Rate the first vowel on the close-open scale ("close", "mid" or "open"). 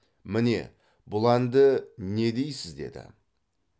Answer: close